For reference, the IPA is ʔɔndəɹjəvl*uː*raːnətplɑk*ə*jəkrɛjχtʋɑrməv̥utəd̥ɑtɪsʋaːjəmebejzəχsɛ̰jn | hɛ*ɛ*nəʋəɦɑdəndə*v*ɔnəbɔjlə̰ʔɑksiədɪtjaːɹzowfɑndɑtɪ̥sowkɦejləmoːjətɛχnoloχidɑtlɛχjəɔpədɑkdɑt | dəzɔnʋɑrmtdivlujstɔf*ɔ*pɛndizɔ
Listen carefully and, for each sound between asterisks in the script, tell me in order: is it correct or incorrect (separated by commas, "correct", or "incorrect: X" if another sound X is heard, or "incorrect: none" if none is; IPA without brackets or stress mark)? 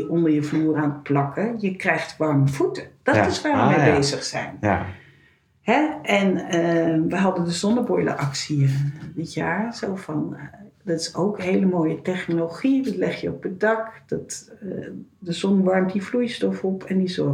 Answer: correct, correct, correct, incorrect: z, correct